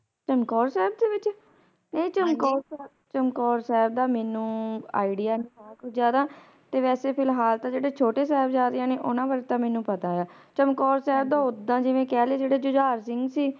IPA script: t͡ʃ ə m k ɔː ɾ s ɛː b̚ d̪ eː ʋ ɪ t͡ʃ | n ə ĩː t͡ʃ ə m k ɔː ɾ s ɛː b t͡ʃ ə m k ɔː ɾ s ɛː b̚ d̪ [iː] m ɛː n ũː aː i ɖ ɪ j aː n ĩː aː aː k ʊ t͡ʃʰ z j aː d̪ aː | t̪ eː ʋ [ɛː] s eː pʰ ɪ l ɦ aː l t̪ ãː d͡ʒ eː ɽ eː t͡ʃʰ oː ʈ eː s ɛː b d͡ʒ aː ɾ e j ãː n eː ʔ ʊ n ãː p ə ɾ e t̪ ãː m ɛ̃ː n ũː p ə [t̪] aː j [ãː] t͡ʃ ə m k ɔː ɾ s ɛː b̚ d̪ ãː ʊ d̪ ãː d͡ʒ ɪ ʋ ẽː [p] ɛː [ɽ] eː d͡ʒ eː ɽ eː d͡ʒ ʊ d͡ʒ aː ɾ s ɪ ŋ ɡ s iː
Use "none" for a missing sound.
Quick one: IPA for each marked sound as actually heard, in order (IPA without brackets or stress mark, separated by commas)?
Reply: aː, ɛː, t̪, aː, k, l